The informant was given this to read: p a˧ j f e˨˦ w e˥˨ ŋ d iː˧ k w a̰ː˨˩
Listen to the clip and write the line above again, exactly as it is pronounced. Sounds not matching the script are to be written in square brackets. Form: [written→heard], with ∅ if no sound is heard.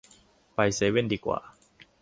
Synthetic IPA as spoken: p a˧ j [f→s] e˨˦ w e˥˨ [ŋ→n] d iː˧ k w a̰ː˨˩